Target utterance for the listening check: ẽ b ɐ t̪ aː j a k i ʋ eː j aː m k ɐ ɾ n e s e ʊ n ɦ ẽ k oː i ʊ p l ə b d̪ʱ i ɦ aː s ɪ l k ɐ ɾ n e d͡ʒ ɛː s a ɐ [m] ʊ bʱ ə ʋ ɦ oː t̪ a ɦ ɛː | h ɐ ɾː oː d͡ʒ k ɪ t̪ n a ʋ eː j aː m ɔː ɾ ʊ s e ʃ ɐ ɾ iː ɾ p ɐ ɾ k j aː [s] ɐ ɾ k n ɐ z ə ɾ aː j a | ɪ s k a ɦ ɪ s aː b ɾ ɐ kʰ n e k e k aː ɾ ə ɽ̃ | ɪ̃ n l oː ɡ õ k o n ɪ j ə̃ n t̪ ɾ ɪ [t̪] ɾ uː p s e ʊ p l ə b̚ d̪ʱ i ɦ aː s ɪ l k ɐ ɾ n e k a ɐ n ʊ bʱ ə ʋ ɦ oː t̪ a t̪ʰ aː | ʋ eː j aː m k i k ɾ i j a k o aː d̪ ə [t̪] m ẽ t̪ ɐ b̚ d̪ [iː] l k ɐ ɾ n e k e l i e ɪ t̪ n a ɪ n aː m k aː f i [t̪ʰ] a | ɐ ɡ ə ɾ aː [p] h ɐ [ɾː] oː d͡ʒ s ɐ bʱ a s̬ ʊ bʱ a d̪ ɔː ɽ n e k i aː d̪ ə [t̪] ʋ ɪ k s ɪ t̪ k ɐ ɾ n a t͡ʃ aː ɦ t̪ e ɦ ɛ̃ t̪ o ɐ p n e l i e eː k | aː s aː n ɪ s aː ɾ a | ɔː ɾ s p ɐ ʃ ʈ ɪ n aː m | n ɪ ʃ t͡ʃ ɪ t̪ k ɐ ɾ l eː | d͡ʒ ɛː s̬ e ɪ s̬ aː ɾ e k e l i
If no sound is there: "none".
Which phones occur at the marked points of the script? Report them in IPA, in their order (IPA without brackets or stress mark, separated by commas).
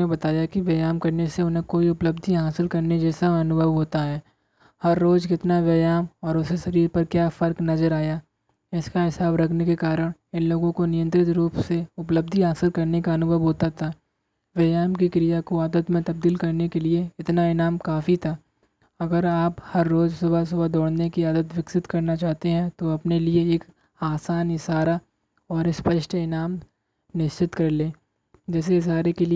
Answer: n, f, t̪, t̪, iː, t̪ʰ, p, ɾː, t̪